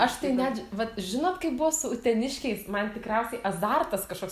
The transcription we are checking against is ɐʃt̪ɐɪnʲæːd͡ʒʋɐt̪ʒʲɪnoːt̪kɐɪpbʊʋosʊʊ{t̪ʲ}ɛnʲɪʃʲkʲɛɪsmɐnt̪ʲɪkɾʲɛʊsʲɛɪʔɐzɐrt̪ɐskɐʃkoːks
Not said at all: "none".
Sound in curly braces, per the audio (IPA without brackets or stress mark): t̪ʲ